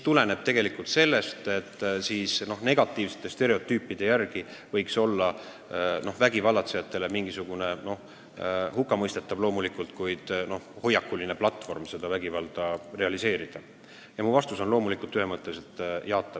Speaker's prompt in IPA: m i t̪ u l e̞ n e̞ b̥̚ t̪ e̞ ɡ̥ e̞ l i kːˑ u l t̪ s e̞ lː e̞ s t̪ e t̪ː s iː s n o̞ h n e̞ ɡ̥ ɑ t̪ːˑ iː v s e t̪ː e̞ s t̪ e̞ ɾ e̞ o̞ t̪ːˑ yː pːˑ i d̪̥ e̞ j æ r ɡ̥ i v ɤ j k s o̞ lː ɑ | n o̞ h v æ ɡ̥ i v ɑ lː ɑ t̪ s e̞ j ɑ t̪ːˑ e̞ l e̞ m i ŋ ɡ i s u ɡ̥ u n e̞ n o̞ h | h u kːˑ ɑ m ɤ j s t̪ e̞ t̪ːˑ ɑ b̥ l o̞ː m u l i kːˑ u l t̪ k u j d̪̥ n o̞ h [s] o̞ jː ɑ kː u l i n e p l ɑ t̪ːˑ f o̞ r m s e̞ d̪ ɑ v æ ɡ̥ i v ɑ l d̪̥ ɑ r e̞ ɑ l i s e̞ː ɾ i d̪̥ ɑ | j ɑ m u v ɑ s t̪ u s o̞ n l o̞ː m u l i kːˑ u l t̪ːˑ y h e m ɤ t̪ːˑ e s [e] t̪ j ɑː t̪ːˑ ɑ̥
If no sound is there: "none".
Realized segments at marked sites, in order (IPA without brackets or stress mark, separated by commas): h, e